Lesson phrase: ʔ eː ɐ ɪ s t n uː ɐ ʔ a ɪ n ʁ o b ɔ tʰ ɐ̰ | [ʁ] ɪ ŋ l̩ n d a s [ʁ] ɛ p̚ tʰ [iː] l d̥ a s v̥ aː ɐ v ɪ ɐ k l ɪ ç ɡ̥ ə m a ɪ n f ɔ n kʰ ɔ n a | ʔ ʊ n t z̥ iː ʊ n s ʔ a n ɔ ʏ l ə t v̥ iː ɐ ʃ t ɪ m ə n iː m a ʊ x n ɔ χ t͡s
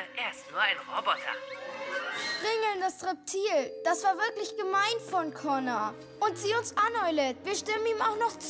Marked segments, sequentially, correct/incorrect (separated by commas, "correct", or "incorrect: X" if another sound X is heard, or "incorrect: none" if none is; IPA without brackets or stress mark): correct, correct, correct